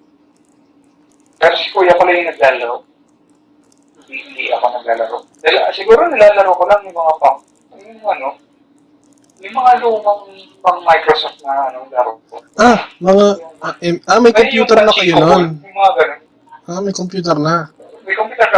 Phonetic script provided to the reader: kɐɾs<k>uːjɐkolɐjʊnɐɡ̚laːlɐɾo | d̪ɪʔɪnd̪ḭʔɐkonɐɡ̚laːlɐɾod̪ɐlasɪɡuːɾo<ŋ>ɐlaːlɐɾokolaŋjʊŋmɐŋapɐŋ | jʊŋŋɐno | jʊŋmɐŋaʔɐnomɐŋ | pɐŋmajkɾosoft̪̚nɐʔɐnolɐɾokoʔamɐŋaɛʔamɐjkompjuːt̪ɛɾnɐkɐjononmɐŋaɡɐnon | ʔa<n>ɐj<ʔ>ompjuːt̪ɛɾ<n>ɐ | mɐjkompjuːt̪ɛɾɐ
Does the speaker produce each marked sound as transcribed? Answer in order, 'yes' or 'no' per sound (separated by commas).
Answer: yes, no, no, no, yes